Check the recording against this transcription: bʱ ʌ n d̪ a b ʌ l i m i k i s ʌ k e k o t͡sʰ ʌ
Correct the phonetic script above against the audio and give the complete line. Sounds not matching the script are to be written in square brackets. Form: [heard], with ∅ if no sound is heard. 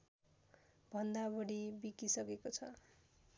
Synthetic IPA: bʱ ʌ n d̪ a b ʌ [ɽ] i [b] i k i s ʌ k e k o t͡sʰ ʌ